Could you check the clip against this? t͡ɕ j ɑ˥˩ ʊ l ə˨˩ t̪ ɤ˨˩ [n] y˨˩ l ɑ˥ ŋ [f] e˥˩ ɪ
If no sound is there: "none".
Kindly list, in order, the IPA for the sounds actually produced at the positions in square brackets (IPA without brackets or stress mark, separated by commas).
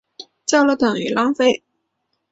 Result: ŋ, f